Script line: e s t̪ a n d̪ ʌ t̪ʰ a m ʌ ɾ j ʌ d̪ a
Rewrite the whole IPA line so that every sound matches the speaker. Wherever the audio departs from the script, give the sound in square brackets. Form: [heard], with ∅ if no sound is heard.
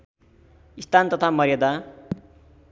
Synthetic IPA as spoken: [i] s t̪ a n [t̪] ʌ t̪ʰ a m ʌ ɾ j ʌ d̪ a